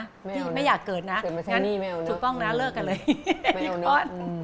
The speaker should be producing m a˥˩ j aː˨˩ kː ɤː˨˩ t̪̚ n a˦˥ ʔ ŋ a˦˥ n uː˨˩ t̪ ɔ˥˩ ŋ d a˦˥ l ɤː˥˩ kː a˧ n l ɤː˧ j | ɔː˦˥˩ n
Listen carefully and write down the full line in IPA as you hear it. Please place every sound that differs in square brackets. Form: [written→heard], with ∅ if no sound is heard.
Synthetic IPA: m a˥˩ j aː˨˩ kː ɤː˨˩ t̪̚ n a˦˥ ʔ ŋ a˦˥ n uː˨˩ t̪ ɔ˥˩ ŋ [d→n] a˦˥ l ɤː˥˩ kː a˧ n l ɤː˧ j | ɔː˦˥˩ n

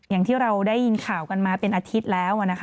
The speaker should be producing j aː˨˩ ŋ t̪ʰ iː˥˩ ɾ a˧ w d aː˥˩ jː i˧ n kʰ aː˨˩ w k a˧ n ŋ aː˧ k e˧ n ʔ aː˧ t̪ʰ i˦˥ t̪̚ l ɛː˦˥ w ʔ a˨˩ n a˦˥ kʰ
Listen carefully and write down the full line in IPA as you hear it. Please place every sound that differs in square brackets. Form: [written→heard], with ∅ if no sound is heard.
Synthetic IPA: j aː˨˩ ŋ t̪ʰ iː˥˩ ɾ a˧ w d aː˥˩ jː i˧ n kʰ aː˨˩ w k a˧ n [ŋ→m] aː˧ [k→p] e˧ n ʔ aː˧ t̪ʰ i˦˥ t̪̚ l ɛː˦˥ w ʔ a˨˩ n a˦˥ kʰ

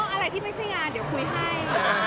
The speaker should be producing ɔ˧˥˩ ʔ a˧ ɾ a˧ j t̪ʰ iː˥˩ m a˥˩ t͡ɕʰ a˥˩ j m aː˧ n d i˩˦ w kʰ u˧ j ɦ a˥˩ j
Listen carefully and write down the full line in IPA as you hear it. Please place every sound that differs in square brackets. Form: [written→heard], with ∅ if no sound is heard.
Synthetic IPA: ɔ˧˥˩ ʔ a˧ ɾ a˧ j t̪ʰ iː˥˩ m a˥˩ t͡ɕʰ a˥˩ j [m→ŋ] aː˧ n d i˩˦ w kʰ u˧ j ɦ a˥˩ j

